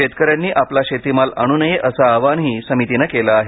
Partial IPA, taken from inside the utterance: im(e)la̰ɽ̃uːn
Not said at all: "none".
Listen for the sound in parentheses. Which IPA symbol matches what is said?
a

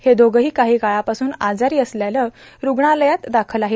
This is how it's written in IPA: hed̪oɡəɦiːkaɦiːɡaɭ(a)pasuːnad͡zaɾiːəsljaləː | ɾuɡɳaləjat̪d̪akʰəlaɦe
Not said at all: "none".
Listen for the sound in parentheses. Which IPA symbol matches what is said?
a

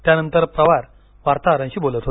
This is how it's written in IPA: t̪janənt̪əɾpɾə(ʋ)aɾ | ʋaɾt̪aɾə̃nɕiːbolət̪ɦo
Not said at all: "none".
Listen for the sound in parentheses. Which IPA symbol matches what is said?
ʋ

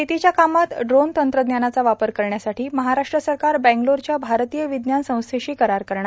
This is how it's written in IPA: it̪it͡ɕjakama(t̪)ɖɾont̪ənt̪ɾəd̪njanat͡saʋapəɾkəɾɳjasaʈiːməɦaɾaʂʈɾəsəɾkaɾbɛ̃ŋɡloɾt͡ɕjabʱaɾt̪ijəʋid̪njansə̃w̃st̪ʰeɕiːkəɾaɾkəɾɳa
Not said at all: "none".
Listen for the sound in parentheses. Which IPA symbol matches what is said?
t̪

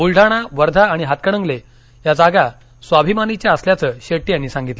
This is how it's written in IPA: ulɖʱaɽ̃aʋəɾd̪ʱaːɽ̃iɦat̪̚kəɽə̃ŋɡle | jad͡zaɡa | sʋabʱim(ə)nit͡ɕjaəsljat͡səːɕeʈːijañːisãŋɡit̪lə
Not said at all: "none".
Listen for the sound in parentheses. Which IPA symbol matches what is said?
a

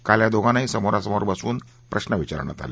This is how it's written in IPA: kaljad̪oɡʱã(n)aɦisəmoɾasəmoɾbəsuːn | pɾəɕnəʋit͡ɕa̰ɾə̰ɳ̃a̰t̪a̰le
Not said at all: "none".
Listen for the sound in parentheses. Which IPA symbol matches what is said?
n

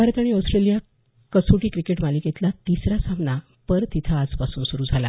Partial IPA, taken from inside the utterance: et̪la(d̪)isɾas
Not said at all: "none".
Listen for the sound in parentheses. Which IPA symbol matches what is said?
t̪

